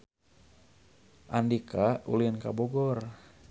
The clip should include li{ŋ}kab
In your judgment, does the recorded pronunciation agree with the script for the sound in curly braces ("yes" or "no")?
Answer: no